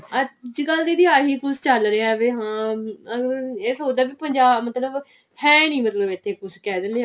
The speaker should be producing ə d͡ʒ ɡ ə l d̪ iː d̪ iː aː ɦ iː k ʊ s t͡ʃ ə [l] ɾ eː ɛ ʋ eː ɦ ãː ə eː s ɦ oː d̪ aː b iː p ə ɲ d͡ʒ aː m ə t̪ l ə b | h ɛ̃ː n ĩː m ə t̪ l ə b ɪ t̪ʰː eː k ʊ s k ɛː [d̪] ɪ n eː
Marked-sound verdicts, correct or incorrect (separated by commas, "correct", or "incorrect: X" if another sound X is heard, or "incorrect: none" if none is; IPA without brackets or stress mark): correct, correct